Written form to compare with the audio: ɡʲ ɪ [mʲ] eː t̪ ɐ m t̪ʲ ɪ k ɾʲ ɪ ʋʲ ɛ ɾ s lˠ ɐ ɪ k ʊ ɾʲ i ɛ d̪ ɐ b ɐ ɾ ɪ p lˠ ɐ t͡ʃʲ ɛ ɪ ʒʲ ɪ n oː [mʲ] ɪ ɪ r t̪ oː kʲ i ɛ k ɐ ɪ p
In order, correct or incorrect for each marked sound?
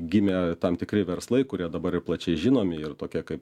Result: correct, correct

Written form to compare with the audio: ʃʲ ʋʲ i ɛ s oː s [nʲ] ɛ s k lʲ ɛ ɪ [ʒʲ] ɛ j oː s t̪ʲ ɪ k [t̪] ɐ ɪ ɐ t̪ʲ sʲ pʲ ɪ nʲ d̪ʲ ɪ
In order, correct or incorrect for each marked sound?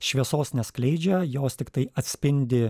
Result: correct, incorrect: d͡ʒʲ, correct

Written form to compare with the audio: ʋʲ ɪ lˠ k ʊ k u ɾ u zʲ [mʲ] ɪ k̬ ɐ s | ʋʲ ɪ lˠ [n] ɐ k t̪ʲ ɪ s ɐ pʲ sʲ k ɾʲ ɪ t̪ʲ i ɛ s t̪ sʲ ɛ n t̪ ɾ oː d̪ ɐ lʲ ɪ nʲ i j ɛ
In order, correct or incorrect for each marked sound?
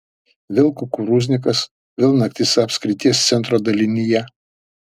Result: incorrect: nʲ, correct

